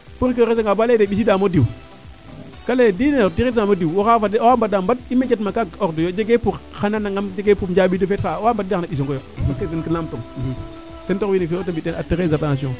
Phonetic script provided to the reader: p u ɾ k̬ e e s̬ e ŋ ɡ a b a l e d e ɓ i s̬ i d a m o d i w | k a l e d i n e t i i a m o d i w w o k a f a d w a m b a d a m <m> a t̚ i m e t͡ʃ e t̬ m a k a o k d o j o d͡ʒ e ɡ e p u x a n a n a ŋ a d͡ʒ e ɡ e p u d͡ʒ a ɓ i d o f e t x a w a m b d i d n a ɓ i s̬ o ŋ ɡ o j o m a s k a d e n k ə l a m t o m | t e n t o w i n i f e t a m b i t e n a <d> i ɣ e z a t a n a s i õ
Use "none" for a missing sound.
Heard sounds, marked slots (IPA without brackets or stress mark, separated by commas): b, t